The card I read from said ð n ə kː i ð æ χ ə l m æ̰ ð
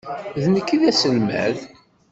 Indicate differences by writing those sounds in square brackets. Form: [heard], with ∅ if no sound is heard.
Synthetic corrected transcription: ð n ə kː i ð æ [s] ə l m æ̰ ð